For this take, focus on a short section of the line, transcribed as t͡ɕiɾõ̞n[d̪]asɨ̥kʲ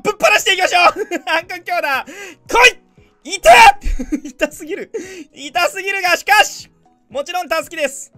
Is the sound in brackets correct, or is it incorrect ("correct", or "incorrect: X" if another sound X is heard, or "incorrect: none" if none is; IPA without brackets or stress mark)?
incorrect: t̪